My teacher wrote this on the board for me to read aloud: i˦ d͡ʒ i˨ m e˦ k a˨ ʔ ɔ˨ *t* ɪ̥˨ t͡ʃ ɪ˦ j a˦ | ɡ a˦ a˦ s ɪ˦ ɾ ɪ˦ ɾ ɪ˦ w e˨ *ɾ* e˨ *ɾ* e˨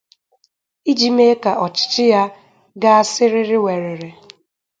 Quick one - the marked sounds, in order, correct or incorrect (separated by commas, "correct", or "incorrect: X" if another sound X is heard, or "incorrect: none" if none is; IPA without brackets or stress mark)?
incorrect: t͡ʃ, correct, correct